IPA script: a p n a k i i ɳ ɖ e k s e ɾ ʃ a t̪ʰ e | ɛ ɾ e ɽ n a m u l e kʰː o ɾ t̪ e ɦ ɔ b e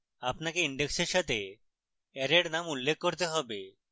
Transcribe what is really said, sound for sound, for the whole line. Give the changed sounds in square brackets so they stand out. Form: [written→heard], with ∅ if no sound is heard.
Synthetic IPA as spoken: a p n a k [i→e] i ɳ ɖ e k s e ɾ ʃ a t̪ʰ e | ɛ ɾ e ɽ n a m u [l→lː] e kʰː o ɾ t̪ e ɦ ɔ b e